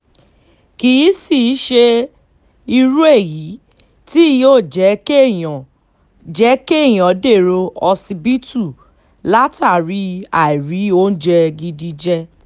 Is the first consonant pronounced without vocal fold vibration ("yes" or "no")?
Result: yes